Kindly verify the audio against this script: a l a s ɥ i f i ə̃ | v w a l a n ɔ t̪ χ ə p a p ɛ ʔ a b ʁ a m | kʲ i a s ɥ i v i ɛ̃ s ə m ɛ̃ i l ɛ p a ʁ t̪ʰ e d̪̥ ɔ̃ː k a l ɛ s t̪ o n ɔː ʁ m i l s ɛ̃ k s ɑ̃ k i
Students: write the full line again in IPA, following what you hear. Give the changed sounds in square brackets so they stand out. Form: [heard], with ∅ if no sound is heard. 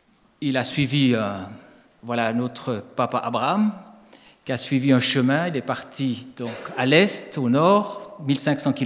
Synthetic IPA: [i] l a s ɥ i [v] i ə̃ | v w a l a n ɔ t̪ χ ə p a p [a] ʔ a b ʁ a m | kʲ i a s ɥ i v i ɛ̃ [ʃ] ə m ɛ̃ i l ɛ p a ʁ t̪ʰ [i] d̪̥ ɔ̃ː k a l ɛ s t̪ o n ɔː ʁ m i l s ɛ̃ k s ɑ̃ k i